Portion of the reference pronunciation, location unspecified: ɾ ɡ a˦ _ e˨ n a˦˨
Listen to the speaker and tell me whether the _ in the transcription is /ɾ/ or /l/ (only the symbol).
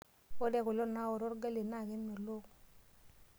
l